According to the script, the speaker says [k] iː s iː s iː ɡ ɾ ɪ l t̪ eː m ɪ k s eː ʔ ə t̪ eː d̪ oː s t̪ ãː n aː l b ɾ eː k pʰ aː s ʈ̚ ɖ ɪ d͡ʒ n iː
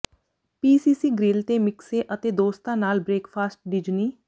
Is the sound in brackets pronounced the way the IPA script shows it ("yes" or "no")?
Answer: no